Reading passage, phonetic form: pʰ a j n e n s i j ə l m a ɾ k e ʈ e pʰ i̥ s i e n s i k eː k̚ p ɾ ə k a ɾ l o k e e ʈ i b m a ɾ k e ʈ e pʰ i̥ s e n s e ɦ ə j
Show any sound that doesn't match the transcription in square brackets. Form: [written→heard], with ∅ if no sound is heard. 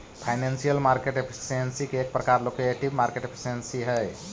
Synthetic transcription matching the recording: pʰ a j n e n s i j ə l m a ɾ k e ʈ e pʰ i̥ s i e n s i k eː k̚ p ɾ ə k a ɾ l o k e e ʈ i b m a ɾ k e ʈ e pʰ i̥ s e n s [e→i] ɦ ə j

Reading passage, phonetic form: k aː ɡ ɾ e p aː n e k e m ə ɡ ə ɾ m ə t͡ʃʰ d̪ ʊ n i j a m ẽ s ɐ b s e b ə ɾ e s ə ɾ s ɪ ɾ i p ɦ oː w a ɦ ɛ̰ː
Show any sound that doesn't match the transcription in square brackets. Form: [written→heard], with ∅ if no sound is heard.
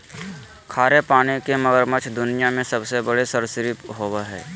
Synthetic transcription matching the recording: [k→kʰ] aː [ɡ→∅] ɾ e p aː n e k e m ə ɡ ə ɾ m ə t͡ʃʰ d̪ ʊ n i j a m ẽ s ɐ b s e b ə [ɾ→ɽ] e s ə ɾ s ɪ ɾ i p ɦ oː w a ɦ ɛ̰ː

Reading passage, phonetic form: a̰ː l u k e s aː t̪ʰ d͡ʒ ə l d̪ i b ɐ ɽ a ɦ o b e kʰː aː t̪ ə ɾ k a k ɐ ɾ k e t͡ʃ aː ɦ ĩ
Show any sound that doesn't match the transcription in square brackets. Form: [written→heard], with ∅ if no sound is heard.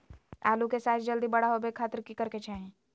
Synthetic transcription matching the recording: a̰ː l u k e s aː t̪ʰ d͡ʒ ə l d̪ i b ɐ ɽ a ɦ o b e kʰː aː t̪ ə ɾ k [a→i] k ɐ ɾ k e t͡ʃ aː ɦ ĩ

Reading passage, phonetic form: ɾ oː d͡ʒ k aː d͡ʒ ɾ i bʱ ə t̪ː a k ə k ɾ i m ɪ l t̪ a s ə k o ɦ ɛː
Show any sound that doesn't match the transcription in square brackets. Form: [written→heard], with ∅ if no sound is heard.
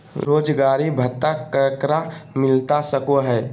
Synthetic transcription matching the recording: ɾ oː d͡ʒ [k→ɡ] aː [d͡ʒ→∅] ɾ i bʱ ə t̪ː a k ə k ɾ [i→a] m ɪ l t̪ a s ə k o ɦ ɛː

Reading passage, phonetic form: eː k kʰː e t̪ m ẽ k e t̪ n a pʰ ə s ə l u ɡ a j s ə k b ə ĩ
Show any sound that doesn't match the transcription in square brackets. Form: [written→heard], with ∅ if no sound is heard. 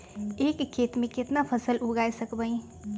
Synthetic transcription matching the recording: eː k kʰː e t̪ m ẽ k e t̪ n a pʰ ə s ə l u ɡ a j s ə k b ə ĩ

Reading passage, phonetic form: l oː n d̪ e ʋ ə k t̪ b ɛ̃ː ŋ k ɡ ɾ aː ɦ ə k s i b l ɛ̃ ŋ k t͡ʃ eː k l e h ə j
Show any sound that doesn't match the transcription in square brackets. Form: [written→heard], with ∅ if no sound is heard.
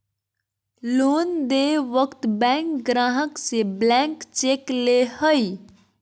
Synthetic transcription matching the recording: l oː n d̪ e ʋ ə k t̪ b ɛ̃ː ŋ k ɡ ɾ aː ɦ ə k s [i→e] b l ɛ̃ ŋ k t͡ʃ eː k l e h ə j

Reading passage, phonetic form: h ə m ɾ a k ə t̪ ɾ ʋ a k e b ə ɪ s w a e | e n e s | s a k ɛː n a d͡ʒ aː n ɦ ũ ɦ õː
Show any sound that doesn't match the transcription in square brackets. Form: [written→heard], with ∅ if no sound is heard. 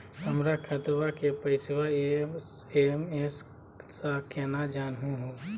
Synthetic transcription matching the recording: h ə m ɾ a [k→kʰ] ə t̪ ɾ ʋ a k e [b→p] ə ɪ s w a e | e [n→m] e s | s a k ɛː n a d͡ʒ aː n ɦ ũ ɦ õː

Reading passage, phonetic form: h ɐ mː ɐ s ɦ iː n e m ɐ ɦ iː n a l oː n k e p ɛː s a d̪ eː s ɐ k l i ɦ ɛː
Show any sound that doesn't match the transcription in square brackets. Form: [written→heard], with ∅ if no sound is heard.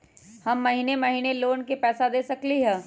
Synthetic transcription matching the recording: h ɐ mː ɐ [s→∅] ɦ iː n e m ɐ ɦ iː n [a→e] l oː n k e p ɛː s a d̪ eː s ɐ k l i ɦ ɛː

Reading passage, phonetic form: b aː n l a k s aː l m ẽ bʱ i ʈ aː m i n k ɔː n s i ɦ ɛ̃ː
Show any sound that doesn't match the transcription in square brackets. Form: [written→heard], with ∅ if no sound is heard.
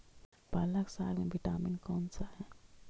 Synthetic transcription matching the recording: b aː [n→∅] l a k s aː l m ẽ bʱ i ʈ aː m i n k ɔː n s [i→a] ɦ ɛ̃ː

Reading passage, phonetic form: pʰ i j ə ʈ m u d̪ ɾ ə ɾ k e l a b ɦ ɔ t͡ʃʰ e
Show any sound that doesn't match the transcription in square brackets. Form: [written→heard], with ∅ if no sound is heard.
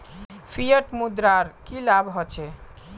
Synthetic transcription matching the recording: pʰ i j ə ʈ m u d̪ ɾ [ə→a] ɾ k [e→i] l a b ɦ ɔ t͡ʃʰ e

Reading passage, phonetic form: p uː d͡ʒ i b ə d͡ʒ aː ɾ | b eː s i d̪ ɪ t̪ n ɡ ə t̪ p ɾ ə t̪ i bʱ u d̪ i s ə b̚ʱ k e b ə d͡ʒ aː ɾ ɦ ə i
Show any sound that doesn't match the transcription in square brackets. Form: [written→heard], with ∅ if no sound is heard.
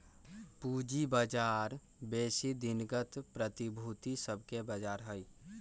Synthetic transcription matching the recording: p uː d͡ʒ i b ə d͡ʒ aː ɾ | b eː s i d̪ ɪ [t̪→∅] n ɡ ə t̪ p ɾ ə t̪ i bʱ u [d̪→t̪] i s ə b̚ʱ k e b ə d͡ʒ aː ɾ ɦ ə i

